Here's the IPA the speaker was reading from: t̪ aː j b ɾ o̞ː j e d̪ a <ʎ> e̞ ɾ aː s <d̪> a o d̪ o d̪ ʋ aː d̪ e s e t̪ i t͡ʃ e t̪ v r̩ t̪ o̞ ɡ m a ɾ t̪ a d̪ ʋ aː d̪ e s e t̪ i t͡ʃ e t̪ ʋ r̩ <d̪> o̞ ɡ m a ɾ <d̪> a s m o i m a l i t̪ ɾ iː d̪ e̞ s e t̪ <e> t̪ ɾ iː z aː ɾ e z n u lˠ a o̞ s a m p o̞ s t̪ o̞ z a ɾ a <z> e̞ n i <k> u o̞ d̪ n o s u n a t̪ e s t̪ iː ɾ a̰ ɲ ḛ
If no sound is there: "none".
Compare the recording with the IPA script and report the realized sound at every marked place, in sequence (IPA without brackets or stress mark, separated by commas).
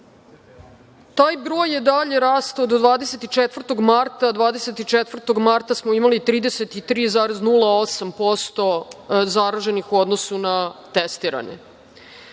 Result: ʎ, t̪, t̪, t̪, i, ʒ, x